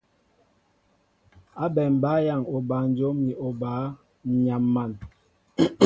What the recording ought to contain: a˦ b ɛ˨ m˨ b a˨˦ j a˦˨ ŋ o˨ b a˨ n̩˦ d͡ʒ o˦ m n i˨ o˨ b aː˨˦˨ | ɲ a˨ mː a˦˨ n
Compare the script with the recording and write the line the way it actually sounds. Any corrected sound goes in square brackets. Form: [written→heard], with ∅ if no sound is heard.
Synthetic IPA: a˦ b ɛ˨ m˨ b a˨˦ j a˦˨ ŋ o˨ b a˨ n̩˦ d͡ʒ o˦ m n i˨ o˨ b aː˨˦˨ | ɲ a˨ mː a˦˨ n